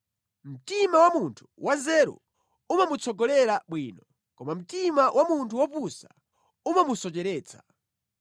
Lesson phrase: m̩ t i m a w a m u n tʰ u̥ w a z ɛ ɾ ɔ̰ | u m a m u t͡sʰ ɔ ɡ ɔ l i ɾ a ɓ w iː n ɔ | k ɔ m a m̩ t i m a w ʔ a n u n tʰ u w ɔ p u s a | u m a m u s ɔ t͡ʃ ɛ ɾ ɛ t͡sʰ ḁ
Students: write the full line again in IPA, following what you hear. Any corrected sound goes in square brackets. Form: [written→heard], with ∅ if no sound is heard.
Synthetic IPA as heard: m̩ t i m a w a m u n tʰ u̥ w a z ɛ ɾ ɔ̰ | u m a m u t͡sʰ ɔ ɡ ɔ l [i→ɛ] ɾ a ɓ w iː n ɔ | k ɔ m a m̩ t i m a w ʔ a [n→m] u n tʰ u w ɔ p u s a | u m a m u s ɔ t͡ʃ ɛ ɾ [ɛ→ɛː] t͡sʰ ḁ